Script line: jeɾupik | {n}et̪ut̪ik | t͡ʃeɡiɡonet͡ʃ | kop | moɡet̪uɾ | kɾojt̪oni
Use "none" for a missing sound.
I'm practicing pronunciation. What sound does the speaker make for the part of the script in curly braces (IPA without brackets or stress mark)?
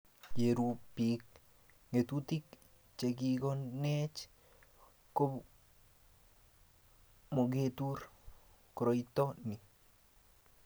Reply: ŋ